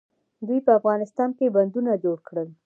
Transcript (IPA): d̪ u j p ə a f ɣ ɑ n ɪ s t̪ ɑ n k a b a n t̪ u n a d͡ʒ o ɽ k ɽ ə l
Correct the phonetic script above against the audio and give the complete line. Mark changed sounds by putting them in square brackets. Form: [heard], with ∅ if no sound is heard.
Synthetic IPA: d̪ u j p ə a f ɣ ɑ n ɪ s t̪ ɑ n k [e] b a n [d̪] u n a d͡ʒ o ɽ k ɽ ə l